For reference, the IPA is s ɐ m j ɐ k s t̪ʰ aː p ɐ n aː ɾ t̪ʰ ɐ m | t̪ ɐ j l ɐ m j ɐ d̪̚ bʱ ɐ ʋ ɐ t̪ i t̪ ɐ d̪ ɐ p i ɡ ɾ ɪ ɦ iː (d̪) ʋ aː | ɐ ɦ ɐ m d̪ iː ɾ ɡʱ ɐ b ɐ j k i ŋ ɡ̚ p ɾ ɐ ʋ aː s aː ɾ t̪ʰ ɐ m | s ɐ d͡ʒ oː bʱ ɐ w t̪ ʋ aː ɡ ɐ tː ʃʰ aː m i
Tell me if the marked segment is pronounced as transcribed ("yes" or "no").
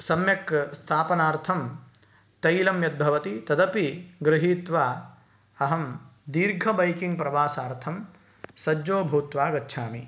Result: no